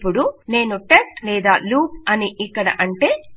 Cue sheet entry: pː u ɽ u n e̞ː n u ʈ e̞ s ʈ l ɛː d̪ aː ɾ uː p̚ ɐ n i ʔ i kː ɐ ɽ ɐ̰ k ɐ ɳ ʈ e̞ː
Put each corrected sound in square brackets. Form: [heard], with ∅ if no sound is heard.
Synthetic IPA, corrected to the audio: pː u ɽ u n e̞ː n u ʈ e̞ s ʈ l ɛː d̪ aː [l] uː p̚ ɐ n i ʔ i kː ɐ ɽ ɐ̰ [ʔ] ɐ ɳ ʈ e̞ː